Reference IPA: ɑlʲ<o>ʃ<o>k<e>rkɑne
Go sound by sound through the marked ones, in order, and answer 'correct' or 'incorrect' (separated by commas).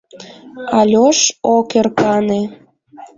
correct, correct, correct